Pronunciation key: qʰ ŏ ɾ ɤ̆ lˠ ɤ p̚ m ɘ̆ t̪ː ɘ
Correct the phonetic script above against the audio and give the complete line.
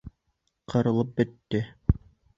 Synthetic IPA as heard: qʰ ɤ̆ ɾ ɤ̆ lˠ ɤ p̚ b ɘ̆ t̪ː ɘ